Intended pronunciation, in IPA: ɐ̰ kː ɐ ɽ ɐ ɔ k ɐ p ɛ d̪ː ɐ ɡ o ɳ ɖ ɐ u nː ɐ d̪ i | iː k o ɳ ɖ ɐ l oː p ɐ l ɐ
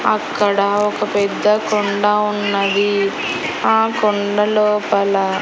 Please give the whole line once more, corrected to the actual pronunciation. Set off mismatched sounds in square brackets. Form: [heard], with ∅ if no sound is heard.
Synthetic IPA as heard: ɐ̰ kː ɐ ɽ ɐ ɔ k ɐ p ɛ d̪ː ɐ [k] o ɳ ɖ ɐ u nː ɐ d̪ i | [aː] k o ɳ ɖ ɐ l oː p ɐ l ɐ